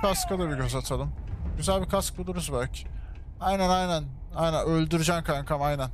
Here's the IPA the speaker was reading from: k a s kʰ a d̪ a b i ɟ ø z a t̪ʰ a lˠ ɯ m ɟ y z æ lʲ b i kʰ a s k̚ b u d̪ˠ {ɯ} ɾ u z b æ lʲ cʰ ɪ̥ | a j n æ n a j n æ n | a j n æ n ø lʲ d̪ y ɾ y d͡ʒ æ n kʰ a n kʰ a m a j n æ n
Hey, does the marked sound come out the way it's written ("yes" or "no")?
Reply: no